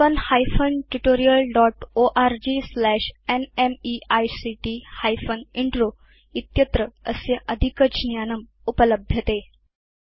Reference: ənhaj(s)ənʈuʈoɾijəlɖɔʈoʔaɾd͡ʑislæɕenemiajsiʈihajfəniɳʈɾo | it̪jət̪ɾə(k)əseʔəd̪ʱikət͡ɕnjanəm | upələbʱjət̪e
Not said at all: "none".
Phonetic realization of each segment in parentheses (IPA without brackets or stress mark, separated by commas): f, none